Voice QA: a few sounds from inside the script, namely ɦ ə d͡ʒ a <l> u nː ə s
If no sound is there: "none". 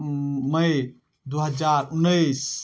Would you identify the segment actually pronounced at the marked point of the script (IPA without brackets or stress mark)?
ɾ